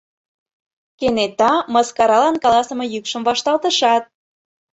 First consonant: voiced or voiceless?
voiceless